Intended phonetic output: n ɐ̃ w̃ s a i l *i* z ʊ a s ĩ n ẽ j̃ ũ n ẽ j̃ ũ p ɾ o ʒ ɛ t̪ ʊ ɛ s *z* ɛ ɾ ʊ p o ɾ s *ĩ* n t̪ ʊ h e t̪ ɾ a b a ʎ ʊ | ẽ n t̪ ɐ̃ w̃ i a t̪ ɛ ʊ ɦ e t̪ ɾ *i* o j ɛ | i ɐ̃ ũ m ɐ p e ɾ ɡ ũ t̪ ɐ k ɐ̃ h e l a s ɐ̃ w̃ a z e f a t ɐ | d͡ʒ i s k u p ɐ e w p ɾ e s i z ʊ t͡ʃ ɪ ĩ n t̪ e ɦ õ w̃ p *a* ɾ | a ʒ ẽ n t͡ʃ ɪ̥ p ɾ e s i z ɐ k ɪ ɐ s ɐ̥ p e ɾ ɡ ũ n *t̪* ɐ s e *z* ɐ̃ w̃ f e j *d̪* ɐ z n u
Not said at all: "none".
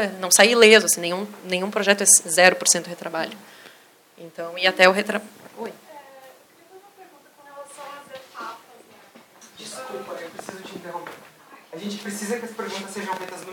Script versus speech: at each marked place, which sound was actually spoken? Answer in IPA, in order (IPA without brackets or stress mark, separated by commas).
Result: e, z, ẽ, a, e, t̪, ʒ, t̪